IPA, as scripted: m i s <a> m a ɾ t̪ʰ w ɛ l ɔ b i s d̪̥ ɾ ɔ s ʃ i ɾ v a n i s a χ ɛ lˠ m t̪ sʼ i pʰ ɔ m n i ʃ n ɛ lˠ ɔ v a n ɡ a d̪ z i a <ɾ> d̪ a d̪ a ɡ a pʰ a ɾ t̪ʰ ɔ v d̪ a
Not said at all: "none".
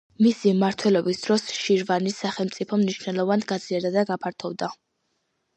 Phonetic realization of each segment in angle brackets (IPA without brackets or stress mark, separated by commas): i, ɾ